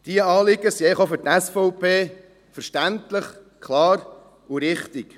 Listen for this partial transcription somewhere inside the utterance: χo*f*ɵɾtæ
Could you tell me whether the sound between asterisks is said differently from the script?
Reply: no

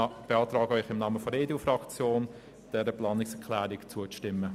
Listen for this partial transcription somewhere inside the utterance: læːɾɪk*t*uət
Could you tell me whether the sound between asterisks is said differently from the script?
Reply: yes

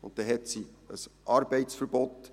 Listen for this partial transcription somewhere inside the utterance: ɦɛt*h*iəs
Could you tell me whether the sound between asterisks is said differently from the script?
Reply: yes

